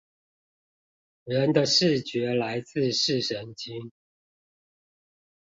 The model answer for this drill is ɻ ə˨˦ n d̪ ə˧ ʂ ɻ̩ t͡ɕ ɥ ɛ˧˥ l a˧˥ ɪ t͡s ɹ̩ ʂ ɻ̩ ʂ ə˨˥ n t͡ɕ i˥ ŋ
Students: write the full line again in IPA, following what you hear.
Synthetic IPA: ɻ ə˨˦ n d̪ ə˧ ʂ ɻ̩ t͡ɕ ɥ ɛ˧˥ l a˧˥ ɪ t͡s ɹ̩ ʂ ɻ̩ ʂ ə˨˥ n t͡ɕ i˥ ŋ